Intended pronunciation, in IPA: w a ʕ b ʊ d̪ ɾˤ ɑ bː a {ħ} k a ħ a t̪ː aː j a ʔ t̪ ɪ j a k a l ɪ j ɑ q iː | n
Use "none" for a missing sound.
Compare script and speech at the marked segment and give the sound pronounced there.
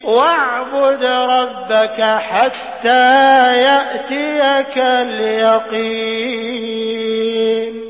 none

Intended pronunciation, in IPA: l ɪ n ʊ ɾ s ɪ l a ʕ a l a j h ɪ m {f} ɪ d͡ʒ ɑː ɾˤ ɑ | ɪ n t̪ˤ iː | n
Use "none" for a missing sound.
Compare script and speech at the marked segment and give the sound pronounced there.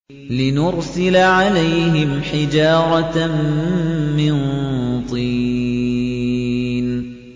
ħ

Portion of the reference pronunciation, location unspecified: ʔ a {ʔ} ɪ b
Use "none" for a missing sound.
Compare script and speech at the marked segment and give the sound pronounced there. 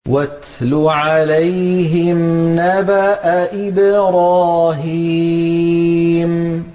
ʔ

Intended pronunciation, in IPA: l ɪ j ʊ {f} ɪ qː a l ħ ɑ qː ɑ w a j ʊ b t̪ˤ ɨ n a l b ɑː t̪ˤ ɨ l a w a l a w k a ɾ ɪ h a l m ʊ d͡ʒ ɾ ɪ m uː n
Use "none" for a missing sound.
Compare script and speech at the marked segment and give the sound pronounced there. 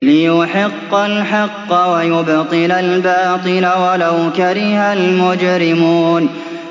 ħ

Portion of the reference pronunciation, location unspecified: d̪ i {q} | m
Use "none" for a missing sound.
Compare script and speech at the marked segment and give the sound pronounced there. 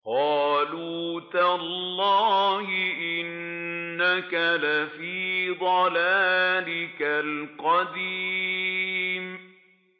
none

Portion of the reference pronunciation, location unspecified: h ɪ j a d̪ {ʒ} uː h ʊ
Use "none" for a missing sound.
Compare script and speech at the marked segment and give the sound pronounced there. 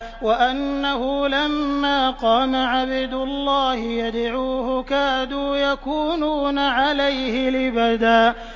ʕ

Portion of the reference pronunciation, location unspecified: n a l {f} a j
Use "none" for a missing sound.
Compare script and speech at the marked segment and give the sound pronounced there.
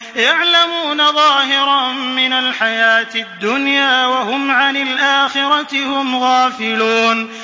ħ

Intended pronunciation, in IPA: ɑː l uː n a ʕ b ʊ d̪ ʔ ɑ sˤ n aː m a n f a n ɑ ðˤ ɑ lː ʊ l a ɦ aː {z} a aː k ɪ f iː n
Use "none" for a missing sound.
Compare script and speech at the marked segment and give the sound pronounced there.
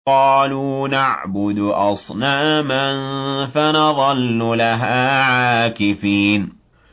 ʕ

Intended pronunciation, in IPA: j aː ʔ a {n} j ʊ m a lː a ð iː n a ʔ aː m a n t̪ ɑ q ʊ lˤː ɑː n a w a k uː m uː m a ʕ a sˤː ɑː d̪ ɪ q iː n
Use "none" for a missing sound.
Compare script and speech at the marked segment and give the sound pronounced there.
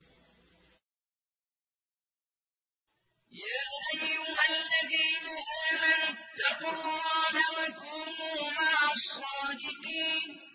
none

